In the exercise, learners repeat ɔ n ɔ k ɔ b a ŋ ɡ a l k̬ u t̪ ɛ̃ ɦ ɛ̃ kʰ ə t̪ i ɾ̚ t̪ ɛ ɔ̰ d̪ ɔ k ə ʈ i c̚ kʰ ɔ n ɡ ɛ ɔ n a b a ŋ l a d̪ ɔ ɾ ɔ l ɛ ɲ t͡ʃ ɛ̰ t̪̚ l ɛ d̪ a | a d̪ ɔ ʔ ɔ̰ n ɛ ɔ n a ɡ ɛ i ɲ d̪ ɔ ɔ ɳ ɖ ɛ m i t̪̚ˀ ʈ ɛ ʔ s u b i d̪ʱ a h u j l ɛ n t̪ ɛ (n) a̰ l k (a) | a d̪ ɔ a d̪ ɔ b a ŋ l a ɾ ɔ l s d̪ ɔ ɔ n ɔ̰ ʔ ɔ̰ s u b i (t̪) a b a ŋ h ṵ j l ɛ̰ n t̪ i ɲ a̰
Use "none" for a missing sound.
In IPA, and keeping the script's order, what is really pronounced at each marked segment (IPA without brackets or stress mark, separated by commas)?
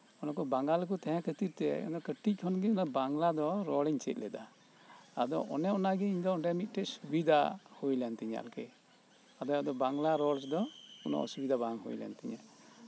ɲ, ɛ, d̪